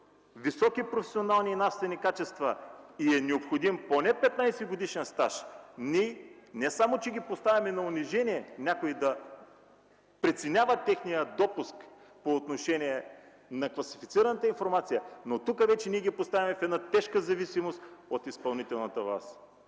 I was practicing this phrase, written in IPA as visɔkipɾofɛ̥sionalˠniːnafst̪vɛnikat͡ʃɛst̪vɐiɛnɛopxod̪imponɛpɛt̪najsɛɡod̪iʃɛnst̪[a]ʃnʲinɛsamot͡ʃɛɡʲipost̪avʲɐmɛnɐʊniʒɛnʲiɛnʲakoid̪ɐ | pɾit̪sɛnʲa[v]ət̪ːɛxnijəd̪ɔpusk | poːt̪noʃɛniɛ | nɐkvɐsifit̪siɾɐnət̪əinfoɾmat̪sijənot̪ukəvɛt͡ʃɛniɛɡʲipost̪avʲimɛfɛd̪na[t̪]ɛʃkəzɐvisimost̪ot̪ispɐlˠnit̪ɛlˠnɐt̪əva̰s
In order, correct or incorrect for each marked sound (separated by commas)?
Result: correct, correct, correct